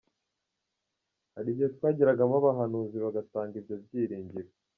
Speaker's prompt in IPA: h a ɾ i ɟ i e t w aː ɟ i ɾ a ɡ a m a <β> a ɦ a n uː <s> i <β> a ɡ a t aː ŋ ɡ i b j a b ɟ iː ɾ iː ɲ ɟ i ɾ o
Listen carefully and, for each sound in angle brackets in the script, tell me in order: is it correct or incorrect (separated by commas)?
correct, incorrect, correct